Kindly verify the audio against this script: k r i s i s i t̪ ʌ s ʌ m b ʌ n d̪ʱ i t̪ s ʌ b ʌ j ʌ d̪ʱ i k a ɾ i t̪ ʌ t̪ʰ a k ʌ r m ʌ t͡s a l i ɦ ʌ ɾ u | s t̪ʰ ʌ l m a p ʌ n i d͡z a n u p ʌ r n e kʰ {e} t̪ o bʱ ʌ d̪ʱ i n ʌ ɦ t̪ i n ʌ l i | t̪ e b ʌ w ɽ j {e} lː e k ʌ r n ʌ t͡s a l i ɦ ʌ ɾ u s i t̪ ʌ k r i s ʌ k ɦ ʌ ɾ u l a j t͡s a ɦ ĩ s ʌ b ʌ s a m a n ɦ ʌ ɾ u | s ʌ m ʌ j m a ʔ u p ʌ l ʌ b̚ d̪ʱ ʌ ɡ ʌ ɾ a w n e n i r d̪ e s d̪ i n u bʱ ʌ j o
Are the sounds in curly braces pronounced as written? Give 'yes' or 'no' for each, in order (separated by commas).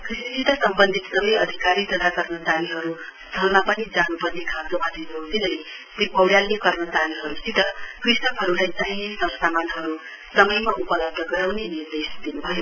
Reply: no, no